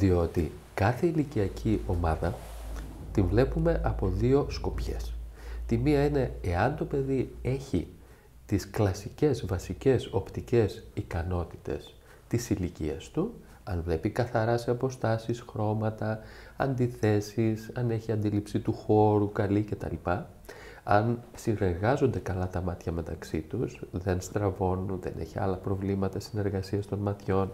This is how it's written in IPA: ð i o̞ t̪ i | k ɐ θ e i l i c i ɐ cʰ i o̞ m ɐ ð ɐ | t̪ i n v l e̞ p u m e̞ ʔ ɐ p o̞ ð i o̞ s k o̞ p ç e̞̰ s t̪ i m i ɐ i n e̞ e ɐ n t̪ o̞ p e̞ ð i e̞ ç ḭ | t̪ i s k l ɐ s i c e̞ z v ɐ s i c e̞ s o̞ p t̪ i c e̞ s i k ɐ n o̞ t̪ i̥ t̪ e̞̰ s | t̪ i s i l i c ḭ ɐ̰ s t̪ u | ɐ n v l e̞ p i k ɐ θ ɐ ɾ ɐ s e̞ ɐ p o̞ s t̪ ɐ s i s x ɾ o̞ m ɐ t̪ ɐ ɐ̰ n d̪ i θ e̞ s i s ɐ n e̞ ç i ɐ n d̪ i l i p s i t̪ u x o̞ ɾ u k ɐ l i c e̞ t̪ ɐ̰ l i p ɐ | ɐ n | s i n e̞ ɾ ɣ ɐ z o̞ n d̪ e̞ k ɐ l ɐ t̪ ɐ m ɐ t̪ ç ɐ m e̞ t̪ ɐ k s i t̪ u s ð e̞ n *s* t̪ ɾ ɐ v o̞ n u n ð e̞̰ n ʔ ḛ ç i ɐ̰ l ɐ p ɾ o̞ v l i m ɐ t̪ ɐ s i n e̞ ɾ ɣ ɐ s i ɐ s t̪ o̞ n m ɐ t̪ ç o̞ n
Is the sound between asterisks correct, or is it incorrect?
correct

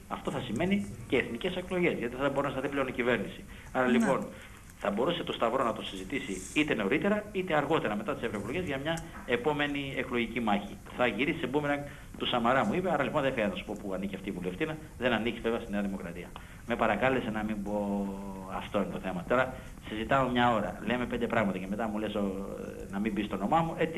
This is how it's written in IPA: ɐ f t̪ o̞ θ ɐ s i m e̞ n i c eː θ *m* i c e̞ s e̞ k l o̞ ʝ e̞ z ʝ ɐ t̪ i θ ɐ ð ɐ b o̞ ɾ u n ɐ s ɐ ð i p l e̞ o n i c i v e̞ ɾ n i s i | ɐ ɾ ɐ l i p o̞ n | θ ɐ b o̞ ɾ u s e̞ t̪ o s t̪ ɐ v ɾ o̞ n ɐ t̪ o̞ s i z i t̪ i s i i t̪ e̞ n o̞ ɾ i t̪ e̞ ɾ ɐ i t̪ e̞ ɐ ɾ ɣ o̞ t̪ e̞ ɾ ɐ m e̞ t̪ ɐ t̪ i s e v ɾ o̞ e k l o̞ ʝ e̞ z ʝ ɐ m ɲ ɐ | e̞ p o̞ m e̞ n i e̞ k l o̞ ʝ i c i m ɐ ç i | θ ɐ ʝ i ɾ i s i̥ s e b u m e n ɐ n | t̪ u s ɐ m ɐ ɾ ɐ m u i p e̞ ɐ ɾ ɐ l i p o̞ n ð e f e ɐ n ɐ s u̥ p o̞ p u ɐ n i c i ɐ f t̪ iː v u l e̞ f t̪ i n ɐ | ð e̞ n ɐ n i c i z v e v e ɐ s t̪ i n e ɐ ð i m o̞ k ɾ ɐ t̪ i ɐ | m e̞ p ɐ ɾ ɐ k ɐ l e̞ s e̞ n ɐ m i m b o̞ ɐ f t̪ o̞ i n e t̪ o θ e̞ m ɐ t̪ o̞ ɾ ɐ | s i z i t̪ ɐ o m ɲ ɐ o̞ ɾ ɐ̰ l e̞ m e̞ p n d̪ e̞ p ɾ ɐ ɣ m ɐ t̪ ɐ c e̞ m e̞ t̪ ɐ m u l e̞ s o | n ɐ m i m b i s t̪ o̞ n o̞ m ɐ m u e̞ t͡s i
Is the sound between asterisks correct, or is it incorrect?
incorrect: n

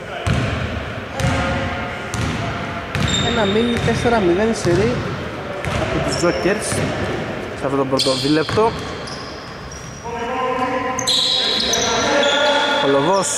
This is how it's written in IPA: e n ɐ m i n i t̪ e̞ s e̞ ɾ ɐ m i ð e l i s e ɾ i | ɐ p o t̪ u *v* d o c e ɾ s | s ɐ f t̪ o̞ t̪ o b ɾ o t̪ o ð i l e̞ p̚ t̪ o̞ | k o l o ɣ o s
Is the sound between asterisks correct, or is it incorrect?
incorrect: z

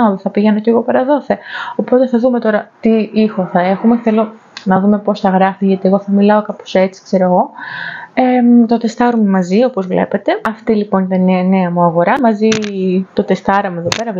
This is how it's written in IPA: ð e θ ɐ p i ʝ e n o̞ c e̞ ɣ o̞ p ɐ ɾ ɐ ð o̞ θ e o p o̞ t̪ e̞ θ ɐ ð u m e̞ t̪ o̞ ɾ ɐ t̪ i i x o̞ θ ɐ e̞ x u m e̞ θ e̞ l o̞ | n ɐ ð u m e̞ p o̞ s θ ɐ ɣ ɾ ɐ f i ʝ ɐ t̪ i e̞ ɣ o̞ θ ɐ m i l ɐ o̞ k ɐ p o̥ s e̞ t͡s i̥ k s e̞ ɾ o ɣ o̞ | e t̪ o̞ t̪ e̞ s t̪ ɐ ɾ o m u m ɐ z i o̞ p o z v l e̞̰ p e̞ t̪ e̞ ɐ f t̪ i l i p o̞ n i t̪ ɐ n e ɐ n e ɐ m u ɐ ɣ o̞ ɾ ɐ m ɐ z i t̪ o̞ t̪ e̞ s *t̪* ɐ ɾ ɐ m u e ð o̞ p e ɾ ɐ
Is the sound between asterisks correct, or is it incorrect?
correct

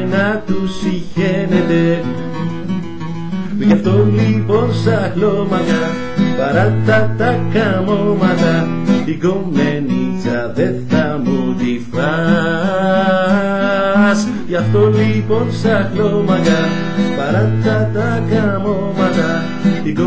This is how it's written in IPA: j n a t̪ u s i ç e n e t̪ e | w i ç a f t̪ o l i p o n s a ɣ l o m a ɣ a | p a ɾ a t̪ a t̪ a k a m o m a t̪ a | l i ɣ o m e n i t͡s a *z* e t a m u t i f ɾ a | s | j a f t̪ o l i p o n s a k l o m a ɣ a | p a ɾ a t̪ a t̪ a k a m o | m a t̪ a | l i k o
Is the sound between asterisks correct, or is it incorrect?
incorrect: ð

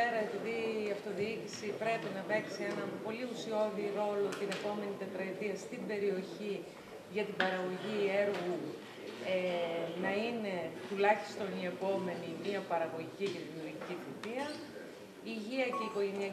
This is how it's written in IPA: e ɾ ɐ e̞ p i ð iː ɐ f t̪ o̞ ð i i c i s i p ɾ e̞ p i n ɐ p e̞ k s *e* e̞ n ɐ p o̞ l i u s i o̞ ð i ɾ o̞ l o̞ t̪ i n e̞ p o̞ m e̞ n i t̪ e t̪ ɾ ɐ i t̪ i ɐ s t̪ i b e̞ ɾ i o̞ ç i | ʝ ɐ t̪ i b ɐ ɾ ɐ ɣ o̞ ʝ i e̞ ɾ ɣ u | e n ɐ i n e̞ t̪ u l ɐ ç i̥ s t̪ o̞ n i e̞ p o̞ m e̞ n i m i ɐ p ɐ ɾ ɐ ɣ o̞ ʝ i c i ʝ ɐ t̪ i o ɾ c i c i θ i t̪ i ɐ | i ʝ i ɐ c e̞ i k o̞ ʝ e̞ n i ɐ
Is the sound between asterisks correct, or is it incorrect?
incorrect: i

